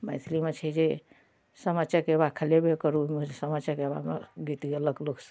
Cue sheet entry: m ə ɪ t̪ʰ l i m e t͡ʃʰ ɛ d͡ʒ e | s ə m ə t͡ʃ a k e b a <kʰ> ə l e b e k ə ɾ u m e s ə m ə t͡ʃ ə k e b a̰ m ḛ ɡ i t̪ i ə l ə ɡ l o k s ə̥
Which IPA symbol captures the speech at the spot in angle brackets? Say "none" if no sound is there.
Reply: kʰ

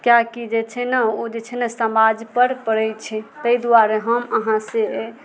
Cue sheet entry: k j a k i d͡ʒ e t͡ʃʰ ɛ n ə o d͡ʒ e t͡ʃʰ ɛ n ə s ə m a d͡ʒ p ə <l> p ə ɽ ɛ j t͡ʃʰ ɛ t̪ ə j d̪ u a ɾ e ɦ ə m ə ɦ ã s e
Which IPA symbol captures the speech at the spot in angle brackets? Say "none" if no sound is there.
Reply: ɾ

